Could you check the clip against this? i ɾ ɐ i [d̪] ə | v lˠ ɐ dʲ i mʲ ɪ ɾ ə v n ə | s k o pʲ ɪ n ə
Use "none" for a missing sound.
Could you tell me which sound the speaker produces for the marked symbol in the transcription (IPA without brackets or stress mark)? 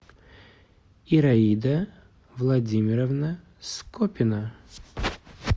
d̪